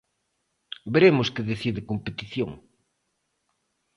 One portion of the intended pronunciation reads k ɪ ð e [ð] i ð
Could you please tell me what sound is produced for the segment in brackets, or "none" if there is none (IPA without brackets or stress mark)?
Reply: θ